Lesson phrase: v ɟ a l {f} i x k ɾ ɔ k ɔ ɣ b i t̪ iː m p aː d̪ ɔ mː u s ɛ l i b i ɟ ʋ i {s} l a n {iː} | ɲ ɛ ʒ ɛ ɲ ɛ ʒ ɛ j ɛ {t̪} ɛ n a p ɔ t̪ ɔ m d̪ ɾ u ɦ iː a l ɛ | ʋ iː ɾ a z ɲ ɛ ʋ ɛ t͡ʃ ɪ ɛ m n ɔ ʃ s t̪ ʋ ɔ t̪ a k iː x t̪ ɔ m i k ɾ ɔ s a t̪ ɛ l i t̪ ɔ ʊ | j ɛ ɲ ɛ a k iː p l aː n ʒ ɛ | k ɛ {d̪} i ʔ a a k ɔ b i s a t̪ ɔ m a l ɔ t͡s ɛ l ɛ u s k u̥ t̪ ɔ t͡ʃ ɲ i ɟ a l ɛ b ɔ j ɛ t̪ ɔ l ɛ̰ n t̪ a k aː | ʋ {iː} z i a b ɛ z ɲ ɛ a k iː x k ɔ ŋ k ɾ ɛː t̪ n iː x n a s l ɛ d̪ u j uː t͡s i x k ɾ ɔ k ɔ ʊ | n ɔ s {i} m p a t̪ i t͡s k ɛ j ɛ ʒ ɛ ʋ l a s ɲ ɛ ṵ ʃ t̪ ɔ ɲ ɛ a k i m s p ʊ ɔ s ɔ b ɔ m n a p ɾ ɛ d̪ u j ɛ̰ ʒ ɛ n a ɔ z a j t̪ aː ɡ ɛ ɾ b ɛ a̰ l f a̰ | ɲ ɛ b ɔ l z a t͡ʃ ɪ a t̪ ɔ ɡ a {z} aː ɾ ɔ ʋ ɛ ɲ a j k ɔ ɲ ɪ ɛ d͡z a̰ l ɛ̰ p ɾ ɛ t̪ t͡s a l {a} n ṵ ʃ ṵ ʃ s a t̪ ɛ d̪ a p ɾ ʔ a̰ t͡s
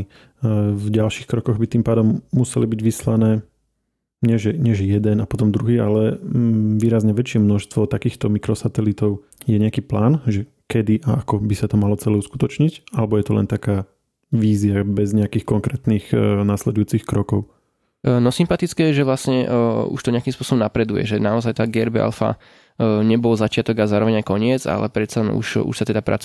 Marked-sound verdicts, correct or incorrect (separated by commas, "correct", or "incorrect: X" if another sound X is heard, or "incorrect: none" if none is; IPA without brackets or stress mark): incorrect: ʃ, correct, incorrect: ɛː, incorrect: d̪, correct, correct, correct, correct, incorrect: ɛ